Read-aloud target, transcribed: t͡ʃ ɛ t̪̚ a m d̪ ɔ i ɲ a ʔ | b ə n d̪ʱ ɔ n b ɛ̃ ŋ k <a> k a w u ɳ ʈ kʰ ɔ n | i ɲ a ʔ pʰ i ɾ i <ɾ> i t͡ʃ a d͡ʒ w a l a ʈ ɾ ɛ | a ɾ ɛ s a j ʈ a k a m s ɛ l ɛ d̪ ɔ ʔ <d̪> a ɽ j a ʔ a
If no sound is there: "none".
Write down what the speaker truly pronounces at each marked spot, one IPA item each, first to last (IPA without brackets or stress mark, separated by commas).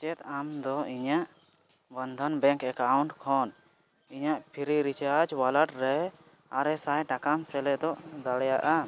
ɛ, ɾ, d̪